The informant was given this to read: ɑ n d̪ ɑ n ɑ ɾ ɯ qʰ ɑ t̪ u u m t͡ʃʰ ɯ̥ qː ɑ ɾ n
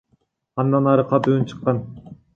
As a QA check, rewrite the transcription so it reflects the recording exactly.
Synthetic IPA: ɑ n d̪ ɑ n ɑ ɾ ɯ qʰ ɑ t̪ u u n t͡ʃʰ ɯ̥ qː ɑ n